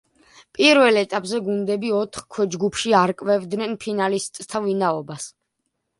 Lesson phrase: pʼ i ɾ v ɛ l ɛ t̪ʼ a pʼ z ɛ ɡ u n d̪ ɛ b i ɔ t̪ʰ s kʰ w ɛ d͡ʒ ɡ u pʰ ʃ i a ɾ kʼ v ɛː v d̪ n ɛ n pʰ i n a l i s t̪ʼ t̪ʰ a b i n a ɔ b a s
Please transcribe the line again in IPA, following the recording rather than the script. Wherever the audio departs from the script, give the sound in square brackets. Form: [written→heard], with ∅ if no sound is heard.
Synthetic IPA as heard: pʼ i ɾ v ɛ l ɛ t̪ʼ a pʼ z ɛ ɡ u n d̪ ɛ b i ɔ t̪ʰ [s→χ] kʰ w ɛ d͡ʒ ɡ u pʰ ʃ i a ɾ kʼ v [ɛː→ɛ] v d̪ n ɛ n pʰ i n a l i s t̪ʼ t̪ʰ a [b→v] i n a ɔ b a s